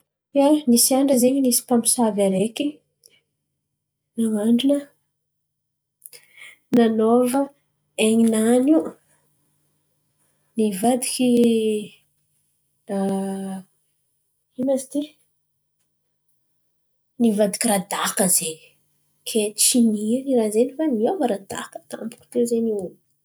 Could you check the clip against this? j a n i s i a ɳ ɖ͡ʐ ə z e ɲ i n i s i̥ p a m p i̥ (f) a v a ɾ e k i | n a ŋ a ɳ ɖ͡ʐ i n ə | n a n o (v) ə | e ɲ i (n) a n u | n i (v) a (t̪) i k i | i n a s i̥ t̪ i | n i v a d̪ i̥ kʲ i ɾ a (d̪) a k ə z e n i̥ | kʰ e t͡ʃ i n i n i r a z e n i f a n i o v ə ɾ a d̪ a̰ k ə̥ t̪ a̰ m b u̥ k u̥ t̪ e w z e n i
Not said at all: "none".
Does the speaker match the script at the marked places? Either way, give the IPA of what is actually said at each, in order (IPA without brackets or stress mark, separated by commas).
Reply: s, v, n, v, d̪, d̪